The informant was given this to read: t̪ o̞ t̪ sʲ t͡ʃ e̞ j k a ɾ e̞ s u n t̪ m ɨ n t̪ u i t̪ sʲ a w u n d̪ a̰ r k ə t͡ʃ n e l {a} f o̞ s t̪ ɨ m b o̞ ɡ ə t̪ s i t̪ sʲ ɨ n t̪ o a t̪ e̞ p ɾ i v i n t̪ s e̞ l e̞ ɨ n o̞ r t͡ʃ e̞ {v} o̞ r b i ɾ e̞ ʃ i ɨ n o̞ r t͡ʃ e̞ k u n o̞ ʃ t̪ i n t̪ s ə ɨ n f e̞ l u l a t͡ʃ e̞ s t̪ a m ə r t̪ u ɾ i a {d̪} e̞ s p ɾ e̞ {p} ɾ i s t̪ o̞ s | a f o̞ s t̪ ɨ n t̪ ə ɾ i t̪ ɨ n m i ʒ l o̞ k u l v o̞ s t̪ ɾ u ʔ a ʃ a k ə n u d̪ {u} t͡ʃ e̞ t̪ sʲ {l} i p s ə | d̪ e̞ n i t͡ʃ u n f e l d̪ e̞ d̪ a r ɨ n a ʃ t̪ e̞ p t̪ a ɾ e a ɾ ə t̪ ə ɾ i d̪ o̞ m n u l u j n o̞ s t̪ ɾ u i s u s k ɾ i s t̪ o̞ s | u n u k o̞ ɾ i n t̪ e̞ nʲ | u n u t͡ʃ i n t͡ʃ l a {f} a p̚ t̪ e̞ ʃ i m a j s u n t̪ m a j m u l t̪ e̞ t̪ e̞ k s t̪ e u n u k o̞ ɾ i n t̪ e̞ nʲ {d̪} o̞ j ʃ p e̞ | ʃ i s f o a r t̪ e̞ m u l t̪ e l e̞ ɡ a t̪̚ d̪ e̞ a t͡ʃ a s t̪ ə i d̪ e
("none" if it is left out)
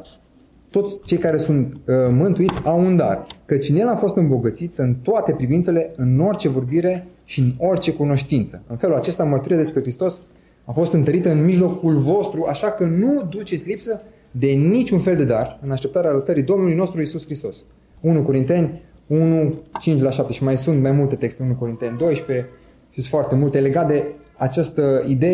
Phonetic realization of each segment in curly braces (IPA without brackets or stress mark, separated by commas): a, v, d̪, k, u, l, ʃ, d̪